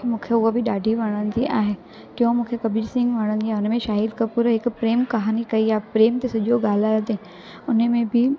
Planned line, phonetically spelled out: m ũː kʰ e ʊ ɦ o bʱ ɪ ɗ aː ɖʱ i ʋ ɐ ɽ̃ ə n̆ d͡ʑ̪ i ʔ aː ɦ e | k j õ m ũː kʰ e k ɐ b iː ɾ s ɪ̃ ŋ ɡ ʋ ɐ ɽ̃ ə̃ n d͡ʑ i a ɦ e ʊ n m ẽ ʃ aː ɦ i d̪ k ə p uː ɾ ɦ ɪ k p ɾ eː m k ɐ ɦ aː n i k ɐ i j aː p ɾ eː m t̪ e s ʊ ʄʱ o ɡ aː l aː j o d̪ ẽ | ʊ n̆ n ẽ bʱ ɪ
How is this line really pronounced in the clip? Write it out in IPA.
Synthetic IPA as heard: m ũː kʰ e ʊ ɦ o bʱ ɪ ɗ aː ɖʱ i ʋ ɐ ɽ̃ ə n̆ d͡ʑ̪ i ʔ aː ɦ e | k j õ m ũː kʰ e k ɐ b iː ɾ s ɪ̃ ŋ ɡ ʋ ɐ ɽ̃ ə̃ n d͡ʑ i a ɦ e ʊ n m ẽ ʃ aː ɦ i d̪ k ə p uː ɾ ɦ ɪ k p ɾ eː m k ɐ ɦ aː n i k ɐ i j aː p ɾ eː m t̪ e s ʊ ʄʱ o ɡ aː l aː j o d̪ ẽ | ʊ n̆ m ẽ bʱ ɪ